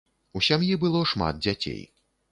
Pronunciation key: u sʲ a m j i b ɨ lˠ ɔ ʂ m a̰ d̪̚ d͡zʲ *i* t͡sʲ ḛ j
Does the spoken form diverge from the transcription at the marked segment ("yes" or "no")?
yes